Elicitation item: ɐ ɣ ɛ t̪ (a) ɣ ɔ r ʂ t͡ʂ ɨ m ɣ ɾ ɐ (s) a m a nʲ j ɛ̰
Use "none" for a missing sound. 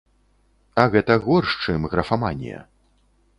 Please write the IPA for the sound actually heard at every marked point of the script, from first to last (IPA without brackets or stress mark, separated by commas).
ɐ, f